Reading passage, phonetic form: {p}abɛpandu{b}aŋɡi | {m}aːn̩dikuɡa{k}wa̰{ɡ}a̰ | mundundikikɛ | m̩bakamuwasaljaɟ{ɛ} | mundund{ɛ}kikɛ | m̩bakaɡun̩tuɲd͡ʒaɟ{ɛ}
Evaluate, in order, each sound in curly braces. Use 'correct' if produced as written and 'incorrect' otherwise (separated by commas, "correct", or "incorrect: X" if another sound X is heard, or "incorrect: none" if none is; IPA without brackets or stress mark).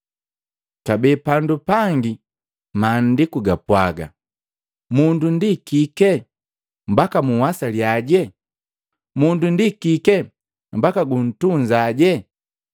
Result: incorrect: k, incorrect: p, correct, incorrect: p, correct, correct, incorrect: i, correct